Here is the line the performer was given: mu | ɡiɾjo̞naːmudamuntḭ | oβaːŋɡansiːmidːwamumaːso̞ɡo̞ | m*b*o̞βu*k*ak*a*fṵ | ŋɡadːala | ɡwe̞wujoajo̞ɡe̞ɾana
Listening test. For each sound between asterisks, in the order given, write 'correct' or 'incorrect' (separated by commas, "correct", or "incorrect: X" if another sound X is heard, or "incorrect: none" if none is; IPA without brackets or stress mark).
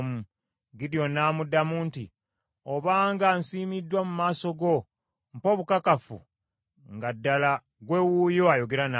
incorrect: p, correct, correct